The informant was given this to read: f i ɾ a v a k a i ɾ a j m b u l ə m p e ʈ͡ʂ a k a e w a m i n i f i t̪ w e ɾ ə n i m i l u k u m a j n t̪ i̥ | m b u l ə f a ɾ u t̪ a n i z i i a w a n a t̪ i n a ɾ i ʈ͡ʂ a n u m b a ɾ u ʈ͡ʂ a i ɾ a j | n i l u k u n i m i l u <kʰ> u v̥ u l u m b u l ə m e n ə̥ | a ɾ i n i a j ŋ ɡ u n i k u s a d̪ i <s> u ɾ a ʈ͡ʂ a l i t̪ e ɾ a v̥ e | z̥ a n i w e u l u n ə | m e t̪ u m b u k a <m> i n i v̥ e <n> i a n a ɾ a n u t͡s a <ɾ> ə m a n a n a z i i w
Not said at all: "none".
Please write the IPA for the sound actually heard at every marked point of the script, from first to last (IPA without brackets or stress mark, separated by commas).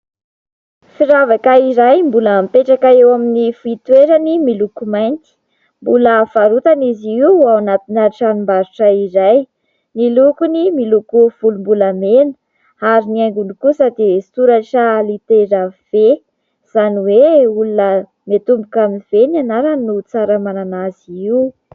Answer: k, s, m, n, ɾ